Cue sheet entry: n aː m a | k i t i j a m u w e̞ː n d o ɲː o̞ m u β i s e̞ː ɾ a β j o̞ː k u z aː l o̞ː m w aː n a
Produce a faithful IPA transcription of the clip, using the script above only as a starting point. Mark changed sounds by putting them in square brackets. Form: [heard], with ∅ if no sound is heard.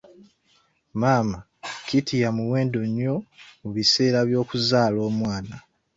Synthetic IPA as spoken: [m] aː m a | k i t i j a m u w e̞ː n d o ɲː o̞ m u β i s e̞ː ɾ a β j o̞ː k u z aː l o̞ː m w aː n a